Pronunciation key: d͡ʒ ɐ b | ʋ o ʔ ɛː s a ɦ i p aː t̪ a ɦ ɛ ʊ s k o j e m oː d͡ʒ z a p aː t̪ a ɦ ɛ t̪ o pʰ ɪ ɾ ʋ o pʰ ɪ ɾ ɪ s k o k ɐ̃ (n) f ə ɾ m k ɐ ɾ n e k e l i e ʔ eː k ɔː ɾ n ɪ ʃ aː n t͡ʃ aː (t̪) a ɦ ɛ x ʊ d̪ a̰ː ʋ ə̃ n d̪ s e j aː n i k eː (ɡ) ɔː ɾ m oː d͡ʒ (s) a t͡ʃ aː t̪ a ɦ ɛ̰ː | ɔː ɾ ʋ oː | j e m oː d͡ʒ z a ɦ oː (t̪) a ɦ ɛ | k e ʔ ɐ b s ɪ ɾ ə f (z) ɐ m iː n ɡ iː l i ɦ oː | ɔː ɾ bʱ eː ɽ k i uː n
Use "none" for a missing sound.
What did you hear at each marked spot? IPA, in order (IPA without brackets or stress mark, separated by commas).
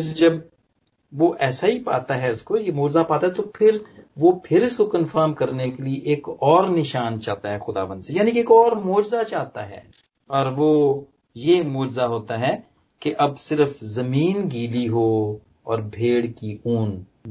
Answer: n, t̪, k, z, t̪, z